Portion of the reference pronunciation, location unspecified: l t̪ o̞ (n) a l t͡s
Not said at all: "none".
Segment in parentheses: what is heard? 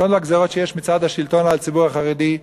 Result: n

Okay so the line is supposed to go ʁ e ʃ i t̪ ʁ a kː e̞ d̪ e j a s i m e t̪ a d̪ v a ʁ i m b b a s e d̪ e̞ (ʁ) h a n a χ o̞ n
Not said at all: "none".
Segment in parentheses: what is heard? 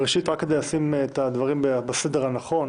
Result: ʁ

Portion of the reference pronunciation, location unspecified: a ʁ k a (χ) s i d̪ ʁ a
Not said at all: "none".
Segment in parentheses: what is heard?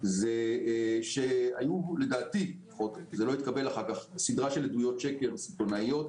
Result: χ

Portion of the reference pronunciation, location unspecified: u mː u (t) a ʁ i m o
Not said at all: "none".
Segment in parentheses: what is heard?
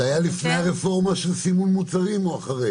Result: t͡s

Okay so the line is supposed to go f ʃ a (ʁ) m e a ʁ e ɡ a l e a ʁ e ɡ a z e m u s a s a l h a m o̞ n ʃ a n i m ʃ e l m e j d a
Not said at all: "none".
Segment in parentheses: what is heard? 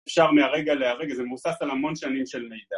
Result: ʁ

